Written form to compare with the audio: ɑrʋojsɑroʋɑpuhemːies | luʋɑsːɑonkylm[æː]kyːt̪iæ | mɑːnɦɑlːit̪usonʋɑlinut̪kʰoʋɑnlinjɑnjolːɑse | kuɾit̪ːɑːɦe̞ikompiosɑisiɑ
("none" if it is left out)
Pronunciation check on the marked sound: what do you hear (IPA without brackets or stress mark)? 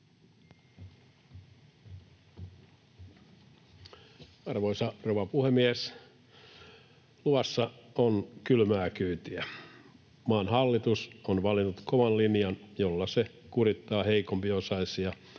æː